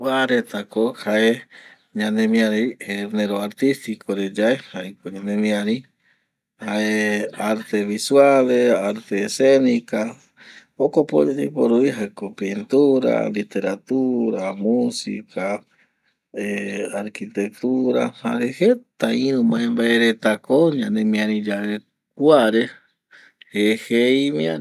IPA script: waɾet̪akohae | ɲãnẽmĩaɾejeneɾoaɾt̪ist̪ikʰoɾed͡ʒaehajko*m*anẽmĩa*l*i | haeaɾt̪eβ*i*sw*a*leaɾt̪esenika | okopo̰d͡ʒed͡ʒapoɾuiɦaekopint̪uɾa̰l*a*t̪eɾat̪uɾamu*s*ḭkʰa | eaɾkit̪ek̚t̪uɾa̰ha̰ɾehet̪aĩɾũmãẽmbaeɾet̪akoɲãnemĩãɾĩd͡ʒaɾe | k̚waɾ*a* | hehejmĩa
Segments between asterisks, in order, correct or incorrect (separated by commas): incorrect, incorrect, correct, correct, incorrect, correct, incorrect